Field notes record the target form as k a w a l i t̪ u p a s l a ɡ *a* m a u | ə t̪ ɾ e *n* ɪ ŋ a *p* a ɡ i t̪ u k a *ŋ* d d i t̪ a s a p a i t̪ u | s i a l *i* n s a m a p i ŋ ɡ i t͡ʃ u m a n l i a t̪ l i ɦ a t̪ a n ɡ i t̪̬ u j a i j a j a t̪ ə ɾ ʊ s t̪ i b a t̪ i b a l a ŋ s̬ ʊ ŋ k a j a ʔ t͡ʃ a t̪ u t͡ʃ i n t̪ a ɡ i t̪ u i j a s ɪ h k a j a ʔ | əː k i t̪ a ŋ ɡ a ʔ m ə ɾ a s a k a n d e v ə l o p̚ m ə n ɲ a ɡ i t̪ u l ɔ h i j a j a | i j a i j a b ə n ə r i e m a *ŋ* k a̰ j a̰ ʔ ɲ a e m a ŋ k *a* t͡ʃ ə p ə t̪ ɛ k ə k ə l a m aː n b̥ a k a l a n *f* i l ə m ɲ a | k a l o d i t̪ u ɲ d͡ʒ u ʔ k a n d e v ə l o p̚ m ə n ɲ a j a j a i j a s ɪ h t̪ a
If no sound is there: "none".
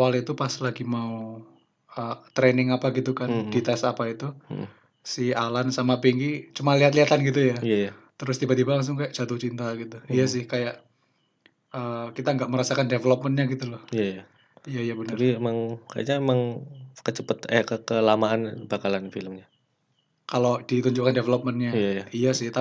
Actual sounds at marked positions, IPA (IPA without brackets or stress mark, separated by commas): i, n, p, n, a, ŋ, ə, f